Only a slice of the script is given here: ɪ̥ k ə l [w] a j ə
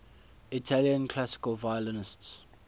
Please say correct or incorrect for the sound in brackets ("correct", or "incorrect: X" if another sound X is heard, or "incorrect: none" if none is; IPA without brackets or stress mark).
incorrect: v